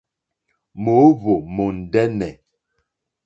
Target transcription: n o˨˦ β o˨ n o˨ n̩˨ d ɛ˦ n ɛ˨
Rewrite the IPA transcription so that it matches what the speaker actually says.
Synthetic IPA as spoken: m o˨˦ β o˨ m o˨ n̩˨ d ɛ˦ n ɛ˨